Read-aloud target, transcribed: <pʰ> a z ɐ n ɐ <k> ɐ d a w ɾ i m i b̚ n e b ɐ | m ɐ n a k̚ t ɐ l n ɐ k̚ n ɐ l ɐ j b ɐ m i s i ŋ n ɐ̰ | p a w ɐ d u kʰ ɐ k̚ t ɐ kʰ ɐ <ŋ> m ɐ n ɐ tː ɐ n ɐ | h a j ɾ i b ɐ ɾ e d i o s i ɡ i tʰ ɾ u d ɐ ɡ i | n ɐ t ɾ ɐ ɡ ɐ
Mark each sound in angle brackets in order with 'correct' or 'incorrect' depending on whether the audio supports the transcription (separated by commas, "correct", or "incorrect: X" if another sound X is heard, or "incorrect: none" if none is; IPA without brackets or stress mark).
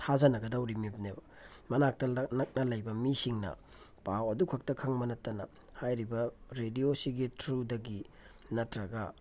incorrect: tʰ, incorrect: ɡ, correct